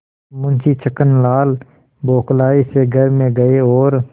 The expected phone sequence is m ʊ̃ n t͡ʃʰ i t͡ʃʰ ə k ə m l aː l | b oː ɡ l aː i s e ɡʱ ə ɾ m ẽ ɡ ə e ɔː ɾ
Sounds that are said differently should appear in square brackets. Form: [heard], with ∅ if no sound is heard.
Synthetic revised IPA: m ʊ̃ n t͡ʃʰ i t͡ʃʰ ə k ə [n] l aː l | b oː [k] l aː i s e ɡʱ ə ɾ m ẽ ɡ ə e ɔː ɾ